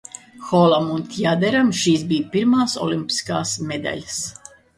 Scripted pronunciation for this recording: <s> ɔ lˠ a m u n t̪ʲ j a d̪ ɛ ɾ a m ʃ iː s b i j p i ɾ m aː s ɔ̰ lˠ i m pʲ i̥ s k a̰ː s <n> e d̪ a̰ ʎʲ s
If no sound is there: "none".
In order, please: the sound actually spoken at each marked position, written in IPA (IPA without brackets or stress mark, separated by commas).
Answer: x, m